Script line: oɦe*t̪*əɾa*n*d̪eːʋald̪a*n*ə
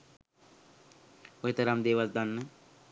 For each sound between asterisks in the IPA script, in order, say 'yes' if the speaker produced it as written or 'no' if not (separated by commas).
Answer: yes, no, no